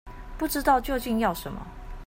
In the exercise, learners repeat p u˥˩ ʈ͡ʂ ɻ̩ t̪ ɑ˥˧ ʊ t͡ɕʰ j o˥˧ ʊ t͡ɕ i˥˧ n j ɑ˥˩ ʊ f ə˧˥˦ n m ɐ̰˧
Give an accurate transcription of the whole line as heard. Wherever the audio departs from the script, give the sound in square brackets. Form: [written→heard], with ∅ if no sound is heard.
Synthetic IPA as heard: p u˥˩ ʈ͡ʂ ɻ̩ t̪ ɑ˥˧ ʊ [t͡ɕʰ→t͡ɕ] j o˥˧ ʊ t͡ɕ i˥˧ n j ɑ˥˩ ʊ [f→ʂ] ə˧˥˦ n m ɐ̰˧